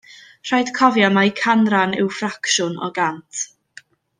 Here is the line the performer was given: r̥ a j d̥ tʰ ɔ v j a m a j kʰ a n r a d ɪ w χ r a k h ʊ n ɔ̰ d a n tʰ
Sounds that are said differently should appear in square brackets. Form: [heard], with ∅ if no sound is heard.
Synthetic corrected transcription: r̥ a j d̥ [kʰ] ɔ v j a m a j kʰ a n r a [n] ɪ w [f] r a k [ʃ] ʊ n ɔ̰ [ɡ] a n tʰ